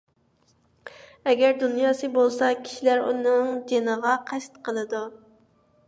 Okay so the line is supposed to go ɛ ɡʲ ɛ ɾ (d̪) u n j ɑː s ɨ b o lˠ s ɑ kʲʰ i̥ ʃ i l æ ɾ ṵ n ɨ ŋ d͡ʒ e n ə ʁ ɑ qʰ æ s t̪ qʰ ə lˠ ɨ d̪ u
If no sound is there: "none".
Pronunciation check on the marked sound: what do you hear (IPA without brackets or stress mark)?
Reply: d̪